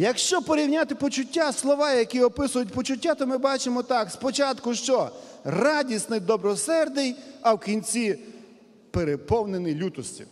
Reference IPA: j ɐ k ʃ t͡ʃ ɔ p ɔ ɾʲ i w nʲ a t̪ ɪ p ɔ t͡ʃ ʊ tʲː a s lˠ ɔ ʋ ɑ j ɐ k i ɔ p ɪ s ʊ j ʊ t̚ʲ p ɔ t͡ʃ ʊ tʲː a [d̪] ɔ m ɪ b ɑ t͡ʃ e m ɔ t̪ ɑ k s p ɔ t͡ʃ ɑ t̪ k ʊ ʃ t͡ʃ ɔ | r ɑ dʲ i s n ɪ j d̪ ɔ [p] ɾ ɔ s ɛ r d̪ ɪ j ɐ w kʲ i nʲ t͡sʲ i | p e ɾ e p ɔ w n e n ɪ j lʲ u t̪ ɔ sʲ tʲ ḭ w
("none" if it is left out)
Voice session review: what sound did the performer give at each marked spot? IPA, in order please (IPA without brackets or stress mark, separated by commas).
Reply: t̪, b